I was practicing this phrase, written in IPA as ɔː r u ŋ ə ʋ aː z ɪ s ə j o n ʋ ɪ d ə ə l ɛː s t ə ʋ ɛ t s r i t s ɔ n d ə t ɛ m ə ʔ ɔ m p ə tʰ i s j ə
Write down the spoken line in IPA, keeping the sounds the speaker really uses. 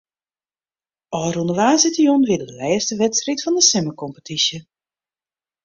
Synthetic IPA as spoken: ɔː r u n ə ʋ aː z ɪ t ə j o n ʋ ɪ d ə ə l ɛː s t ə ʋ ɛ t s r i t f ɔ n d ə s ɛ m ə k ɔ m p ə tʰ i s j ə